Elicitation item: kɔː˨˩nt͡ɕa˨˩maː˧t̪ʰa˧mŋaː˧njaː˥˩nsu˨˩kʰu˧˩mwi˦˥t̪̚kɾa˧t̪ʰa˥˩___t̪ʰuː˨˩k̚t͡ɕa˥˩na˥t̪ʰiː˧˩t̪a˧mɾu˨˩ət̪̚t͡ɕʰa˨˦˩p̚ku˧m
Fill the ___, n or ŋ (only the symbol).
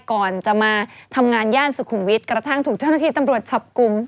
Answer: ŋ